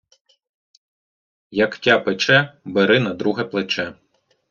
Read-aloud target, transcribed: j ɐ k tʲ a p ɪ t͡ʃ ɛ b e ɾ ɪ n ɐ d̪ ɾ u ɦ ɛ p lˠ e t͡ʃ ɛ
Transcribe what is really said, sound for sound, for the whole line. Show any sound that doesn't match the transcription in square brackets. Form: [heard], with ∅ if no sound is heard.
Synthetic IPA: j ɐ k tʲ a p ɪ t͡ʃ ɛ b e ɾ ɪ n ɐ d̪ ɾ u ɦ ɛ p lˠ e t͡ʃ ɛ